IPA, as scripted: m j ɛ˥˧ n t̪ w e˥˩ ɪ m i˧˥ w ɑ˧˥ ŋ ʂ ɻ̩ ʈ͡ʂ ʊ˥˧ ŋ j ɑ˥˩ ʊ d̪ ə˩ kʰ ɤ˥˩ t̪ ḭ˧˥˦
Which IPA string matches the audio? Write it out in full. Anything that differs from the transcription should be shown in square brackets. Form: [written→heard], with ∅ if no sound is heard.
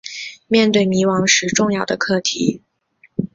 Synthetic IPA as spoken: m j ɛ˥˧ n t̪ w e˥˩ ɪ m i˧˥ w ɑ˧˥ ŋ ʂ ɻ̩ ʈ͡ʂ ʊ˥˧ ŋ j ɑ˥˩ ʊ d̪ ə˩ kʰ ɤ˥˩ [t̪→t̪ʰ] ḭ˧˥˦